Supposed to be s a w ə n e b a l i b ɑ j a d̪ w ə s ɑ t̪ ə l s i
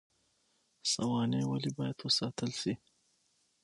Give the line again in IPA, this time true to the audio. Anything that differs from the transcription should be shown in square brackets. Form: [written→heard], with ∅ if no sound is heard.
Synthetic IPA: s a w [ə→ɑ] n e [b→w] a l i b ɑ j a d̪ w ə s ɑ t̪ ə l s i